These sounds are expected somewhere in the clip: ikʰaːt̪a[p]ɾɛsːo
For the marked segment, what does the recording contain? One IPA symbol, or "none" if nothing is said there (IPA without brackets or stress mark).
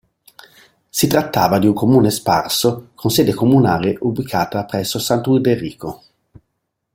p